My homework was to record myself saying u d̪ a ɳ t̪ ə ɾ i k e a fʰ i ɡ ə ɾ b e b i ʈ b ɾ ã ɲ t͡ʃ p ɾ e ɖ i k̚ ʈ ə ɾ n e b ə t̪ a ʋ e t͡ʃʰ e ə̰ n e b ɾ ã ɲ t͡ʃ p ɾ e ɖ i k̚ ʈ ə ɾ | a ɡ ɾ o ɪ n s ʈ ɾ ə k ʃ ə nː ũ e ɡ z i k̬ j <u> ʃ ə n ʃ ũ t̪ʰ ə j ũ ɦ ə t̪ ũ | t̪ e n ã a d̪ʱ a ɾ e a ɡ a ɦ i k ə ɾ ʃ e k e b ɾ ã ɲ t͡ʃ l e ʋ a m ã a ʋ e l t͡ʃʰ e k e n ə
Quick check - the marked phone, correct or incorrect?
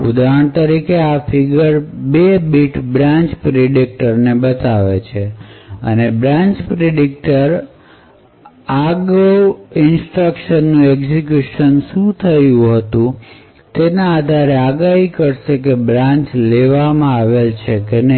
correct